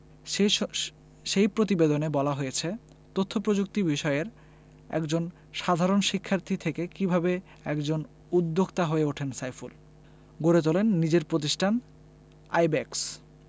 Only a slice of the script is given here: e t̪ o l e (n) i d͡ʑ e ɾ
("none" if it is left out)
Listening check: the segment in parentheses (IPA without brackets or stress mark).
nː